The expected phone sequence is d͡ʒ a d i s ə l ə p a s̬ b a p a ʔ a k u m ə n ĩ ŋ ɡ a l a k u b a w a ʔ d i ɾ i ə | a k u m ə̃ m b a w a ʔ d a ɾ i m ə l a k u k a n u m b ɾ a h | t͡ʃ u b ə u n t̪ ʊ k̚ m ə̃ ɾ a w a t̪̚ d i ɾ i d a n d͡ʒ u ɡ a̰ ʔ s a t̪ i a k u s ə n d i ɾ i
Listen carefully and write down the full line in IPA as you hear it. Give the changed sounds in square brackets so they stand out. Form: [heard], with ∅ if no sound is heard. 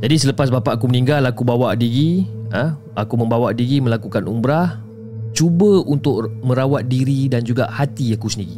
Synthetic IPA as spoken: d͡ʒ a d i s ə l ə p a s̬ b a p a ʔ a k u m ə n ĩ ŋ ɡ a l a k u b a w a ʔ d i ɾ i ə | a k u m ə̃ m b a w a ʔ d [i] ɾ i m ə l a k u k a n u m b ɾ a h | t͡ʃ u b ə u n t̪ ʊ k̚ m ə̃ ɾ a w a t̪̚ d i ɾ i d a n d͡ʒ u ɡ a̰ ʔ [h] a t̪ i a k u s ə n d i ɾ i